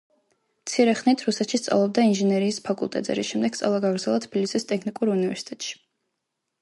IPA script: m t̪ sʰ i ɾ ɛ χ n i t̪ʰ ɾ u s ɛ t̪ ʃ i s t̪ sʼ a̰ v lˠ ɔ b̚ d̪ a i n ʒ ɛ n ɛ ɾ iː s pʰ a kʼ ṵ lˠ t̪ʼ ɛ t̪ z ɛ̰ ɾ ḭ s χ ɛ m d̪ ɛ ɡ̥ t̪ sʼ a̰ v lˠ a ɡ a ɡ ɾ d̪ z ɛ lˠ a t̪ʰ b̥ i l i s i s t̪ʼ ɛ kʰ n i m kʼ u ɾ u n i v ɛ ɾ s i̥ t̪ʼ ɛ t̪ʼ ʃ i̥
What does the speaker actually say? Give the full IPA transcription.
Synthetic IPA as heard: m t̪ sʰ i ɾ ɛ χ n i t̪ʰ ɾ u s ɛ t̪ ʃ i s t̪ sʼ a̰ v lˠ ɔ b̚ d̪ a i n ʒ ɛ n ɛ ɾ iː s pʰ a kʼ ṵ lˠ t̪ʼ ɛ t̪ z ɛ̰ ɾ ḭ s ʃ ɛ m d̪ ɛ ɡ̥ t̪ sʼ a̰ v lˠ a ɡ a ɡ ɾ d̪ z ɛ lˠ a t̪ʰ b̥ i l i s i s t̪ʼ ɛ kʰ n i kʼ u ɾ u n i v ɛ ɾ s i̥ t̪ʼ ɛ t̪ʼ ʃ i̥

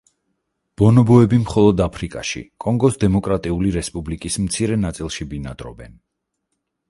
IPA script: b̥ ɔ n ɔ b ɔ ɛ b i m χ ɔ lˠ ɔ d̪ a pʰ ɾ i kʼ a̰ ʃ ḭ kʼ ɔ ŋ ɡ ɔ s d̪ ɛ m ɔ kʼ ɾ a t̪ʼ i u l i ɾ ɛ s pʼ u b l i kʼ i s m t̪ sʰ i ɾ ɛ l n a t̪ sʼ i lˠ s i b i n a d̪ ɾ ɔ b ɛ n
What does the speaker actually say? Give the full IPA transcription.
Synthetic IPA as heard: b̥ ɔ n ɔ b ɔ ɛ b i m χ ɔ lˠ ɔ d̪ a pʰ ɾ i kʼ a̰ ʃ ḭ kʼ ɔ ŋ ɡ ɔ s d̪ ɛ m ɔ kʼ ɾ a t̪ʼ i u l i ɾ ɛ s pʼ u b l i kʼ i s m t̪ sʰ i ɾ ɛ n a t̪ sʼ i lˠ ʃ i b i n a d̪ ɾ ɔ b ɛ n

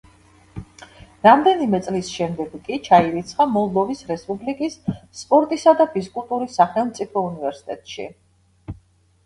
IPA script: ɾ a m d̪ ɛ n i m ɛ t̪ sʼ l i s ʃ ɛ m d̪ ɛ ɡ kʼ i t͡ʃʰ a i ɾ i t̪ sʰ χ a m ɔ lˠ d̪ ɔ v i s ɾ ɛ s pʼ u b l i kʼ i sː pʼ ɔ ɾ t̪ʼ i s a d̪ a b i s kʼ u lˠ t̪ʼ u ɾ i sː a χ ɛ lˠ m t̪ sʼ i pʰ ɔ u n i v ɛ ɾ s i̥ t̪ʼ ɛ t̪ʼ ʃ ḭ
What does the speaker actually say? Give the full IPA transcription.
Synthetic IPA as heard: ɾ a m d̪ ɛ n i m ɛ t̪ sʼ l i s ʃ ɛ m d̪ ɛ ɡ kʼ i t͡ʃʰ a i ɾ i t̪ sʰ χ a m ɔ lˠ d̪ ɔ v i s ɾ ɛ s pʼ u b l i kʼ i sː pʼ ɔ ɾ t̪ʼ i s a d̪ a b i s kʼ u lˠ t̪ʼ u ɾ i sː a χ ɛ lˠ m t̪ sʼ i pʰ ɔ u n i v ɛ ɾ s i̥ t̪ʼ ɛ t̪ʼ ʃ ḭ

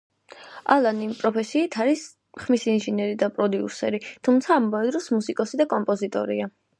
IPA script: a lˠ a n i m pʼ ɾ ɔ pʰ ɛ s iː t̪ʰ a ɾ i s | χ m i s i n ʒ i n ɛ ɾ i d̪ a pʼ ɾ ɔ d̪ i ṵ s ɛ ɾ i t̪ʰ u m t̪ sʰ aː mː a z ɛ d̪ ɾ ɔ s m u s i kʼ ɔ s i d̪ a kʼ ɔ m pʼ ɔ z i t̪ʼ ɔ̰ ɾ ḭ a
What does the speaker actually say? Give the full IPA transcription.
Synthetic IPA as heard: a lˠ a n i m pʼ ɾ ɔ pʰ ɛ s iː t̪ʰ a ɾ i s | χ m i s i n ʒ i n ɛ ɾ i d̪ a pʼ ɾ ɔ d̪ i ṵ s ɛ ɾ i t̪ʰ u m t̪ sʰ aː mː a v ɛ d̪ ɾ ɔ s m u s i kʼ ɔ s i d̪ a kʼ ɔ m pʼ ɔ z i t̪ʼ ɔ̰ ɾ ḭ a

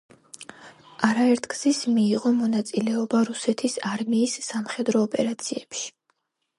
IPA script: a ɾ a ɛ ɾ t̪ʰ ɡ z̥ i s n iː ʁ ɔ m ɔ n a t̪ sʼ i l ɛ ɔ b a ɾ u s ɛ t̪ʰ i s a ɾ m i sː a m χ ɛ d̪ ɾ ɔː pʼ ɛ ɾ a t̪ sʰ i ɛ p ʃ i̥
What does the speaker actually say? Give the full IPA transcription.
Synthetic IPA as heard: a ɾ a ɛ ɾ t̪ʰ ɡ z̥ i s m iː ʁ ɔ m ɔ n a t̪ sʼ i l ɛ ɔ b a ɾ u s ɛ t̪ʰ i s a ɾ m iː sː a m χ ɛ d̪ ɾ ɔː pʼ ɛ ɾ a t̪ sʰ i ɛ p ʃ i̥

